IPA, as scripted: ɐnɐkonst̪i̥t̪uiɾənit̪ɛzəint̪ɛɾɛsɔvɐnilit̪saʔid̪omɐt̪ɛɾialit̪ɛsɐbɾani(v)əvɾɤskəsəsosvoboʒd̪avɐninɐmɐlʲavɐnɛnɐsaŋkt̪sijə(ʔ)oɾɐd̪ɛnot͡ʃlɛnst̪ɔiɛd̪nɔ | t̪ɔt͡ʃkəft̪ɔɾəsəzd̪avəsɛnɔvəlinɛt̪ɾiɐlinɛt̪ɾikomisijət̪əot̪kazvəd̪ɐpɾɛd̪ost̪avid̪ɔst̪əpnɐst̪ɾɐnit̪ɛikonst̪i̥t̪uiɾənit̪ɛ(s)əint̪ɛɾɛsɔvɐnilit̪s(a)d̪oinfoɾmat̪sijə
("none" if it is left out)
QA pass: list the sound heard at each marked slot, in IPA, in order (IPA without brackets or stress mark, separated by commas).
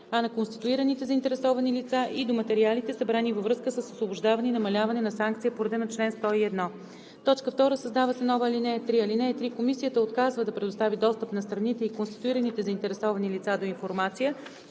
v, p, z, a